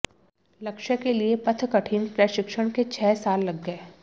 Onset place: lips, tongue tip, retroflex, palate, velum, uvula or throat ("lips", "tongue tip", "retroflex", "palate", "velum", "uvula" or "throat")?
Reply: tongue tip